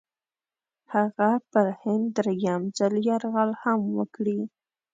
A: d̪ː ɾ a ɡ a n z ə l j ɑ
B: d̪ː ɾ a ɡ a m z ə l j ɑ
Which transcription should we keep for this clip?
B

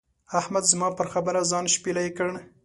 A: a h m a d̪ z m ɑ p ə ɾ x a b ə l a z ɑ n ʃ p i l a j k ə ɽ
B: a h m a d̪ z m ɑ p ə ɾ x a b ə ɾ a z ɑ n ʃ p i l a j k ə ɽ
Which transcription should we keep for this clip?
B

